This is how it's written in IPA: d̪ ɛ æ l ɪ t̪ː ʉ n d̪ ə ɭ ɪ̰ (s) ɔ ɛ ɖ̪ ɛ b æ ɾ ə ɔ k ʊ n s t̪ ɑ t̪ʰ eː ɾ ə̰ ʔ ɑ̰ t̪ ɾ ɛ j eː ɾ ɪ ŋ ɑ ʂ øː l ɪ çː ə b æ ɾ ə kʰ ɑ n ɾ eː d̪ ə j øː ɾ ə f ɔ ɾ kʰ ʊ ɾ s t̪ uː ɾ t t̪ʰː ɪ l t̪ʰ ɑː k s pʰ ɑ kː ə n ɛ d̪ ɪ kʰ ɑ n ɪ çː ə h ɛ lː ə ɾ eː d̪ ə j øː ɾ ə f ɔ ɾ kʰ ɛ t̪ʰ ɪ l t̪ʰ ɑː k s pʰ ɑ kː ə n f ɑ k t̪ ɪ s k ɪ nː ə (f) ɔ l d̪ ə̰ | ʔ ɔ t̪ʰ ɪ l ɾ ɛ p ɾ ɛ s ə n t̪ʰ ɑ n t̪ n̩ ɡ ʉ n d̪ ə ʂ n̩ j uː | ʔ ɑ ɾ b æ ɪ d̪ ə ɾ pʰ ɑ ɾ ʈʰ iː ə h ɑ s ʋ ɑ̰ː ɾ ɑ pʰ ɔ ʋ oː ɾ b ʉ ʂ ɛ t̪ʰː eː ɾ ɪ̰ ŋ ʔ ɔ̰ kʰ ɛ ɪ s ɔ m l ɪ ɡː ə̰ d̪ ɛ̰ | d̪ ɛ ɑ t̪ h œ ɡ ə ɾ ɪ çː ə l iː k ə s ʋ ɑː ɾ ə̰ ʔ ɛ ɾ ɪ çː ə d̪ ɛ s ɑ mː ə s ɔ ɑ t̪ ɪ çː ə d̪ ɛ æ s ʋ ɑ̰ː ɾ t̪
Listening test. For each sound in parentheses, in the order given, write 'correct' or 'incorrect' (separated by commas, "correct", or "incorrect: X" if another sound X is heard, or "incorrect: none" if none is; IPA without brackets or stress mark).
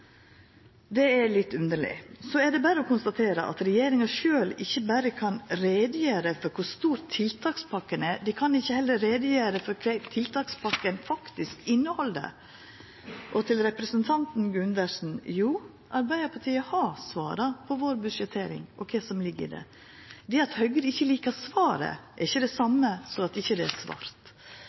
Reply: correct, incorrect: h